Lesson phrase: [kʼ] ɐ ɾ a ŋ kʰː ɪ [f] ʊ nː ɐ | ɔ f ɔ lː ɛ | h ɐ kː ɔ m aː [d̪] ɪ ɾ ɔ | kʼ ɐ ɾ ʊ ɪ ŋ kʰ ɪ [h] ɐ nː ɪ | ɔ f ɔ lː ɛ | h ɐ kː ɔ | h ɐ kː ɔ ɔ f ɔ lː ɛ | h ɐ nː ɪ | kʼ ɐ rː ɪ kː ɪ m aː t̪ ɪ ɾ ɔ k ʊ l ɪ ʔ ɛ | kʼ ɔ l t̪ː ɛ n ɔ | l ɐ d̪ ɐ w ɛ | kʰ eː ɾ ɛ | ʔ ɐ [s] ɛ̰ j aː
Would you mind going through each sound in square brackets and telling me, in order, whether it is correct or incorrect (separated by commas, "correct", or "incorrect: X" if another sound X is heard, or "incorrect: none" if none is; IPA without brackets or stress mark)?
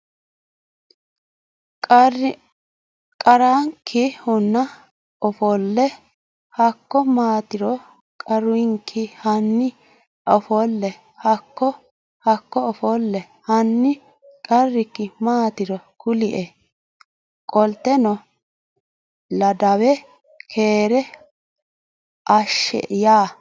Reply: correct, incorrect: h, incorrect: t̪, correct, incorrect: ʃ